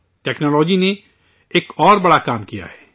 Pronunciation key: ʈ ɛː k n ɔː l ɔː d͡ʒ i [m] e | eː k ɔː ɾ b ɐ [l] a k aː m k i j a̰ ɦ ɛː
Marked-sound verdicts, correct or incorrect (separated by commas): incorrect, incorrect